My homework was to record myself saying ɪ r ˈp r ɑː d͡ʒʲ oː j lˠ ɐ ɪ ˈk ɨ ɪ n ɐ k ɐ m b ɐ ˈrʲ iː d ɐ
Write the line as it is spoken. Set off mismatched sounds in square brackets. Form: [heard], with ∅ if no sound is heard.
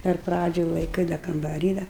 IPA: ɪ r ˈp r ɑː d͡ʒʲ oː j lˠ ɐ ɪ ˈk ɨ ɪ [d] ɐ k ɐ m b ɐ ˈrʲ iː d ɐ